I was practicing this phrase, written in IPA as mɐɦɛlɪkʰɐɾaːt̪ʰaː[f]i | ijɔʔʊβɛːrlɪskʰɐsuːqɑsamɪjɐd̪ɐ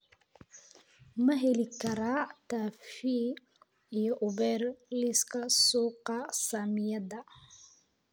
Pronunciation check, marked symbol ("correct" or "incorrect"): correct